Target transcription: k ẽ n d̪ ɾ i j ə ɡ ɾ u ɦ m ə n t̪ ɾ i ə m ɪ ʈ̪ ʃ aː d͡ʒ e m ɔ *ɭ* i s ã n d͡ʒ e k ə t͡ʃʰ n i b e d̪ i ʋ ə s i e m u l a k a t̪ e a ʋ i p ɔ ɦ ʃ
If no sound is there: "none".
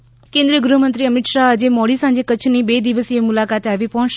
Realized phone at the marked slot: ɽ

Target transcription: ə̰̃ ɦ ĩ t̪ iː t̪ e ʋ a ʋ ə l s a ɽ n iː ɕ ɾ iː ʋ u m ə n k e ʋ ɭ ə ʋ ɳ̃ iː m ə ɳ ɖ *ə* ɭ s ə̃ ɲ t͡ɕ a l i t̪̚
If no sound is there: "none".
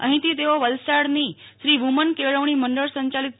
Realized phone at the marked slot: ə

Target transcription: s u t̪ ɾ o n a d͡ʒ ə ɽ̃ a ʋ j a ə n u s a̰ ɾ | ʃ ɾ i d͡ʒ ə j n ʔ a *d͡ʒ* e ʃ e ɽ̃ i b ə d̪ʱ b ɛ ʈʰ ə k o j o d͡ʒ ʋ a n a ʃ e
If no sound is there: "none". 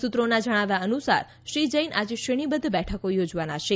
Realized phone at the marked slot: d͡ʒ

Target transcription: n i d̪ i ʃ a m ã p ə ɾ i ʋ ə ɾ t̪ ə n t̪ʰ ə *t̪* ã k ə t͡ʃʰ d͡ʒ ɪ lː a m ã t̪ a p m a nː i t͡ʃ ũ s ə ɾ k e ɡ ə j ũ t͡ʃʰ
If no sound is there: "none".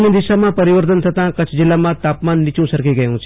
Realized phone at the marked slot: t̪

